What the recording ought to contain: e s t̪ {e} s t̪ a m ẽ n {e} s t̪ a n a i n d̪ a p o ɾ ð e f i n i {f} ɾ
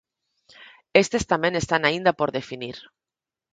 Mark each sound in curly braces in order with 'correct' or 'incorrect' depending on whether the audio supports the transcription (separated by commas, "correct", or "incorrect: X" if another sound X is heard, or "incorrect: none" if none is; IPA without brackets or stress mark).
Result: correct, correct, incorrect: none